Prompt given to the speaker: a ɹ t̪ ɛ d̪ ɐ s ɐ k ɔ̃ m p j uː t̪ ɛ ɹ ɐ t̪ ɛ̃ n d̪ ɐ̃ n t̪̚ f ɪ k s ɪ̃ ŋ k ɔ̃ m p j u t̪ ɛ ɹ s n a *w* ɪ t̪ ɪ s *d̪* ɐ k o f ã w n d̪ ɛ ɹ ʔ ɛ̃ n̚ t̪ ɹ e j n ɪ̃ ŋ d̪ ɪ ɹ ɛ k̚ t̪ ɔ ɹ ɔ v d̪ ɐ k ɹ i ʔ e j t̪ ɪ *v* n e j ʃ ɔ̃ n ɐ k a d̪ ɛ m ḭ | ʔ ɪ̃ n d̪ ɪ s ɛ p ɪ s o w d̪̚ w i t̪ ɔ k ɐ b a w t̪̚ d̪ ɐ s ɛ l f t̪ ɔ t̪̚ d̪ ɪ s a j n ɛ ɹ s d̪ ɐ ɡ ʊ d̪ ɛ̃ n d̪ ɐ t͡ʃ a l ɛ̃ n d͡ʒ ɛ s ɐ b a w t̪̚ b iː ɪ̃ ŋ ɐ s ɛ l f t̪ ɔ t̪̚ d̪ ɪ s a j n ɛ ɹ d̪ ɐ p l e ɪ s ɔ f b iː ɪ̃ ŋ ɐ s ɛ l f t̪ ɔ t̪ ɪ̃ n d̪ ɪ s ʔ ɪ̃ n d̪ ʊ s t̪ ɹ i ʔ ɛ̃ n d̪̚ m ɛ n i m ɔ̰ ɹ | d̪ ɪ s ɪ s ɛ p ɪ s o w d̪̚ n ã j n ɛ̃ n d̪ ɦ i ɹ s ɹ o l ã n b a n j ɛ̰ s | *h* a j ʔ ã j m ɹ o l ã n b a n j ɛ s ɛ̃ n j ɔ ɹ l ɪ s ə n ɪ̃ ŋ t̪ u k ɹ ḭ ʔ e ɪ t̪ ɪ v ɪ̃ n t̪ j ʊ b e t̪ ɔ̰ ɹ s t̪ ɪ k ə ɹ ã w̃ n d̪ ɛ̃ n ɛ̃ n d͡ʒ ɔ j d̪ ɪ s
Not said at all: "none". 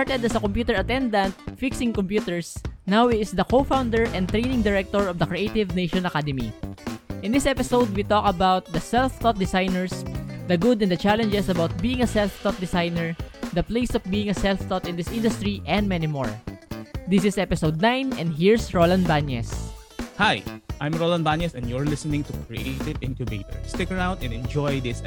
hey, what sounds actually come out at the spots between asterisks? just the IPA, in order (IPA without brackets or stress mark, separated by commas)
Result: w, d̪, v, h